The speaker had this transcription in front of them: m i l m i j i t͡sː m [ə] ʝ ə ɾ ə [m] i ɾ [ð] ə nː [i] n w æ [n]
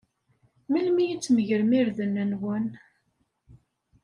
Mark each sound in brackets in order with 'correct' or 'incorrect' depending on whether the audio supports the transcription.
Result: correct, correct, correct, incorrect: æ, correct

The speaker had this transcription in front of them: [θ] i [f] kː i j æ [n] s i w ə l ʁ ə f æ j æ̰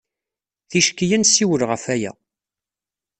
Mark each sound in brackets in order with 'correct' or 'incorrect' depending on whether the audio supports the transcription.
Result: correct, incorrect: ʃ, correct

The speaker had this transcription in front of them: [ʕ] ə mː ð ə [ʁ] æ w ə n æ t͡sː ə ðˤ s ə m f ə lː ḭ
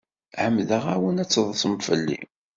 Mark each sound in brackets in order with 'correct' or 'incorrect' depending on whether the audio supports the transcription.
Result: correct, correct

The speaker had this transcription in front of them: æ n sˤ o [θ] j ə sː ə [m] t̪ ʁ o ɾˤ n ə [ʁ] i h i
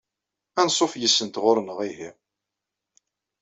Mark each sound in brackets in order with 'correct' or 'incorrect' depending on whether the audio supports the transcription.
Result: incorrect: f, incorrect: n, correct

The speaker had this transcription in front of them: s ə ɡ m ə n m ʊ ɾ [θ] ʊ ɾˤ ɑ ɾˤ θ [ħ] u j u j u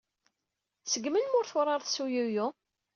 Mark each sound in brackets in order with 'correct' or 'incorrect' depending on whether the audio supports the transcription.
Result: correct, incorrect: s

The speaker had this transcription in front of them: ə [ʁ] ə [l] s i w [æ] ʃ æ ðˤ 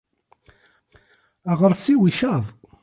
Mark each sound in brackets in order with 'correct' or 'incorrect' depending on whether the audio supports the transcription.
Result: correct, incorrect: ɾ, incorrect: i

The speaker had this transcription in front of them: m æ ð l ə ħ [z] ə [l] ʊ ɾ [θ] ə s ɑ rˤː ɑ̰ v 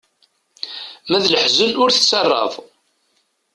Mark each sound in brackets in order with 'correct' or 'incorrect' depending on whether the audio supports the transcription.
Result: correct, correct, correct

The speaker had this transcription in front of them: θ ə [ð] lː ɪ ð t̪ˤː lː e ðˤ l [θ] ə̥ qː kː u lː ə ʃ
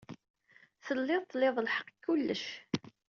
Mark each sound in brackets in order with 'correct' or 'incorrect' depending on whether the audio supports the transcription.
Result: incorrect: none, incorrect: ħ

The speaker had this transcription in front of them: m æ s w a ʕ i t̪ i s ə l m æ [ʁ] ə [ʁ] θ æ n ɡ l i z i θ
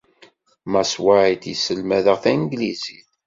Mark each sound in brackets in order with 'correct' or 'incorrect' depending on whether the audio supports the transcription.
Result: incorrect: ð, correct

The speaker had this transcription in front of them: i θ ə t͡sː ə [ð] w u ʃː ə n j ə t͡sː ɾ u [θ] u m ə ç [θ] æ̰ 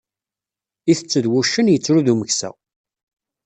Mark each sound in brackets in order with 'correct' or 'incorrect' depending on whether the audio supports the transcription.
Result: correct, incorrect: ð, incorrect: s

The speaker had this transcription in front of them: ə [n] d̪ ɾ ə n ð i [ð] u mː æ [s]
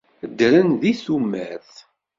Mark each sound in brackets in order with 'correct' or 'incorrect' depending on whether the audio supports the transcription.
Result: incorrect: none, incorrect: θ, incorrect: θ

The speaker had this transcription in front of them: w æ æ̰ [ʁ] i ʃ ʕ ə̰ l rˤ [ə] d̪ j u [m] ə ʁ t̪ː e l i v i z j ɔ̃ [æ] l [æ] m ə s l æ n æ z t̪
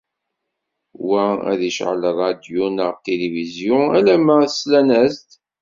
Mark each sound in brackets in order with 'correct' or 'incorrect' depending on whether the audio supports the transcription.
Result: incorrect: ð, incorrect: ɑ, incorrect: n, correct, correct

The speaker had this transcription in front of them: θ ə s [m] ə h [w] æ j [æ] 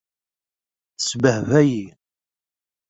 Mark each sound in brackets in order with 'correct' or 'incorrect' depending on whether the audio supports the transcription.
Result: incorrect: b, incorrect: v, incorrect: i

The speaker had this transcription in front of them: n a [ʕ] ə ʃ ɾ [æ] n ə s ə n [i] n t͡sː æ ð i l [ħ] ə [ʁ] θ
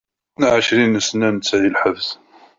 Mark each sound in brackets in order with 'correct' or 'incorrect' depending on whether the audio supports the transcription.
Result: correct, incorrect: i, incorrect: æ, correct, incorrect: v

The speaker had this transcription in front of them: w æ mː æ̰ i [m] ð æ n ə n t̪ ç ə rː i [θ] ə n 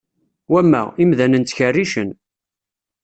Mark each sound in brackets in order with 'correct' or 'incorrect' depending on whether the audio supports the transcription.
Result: correct, incorrect: ʃ

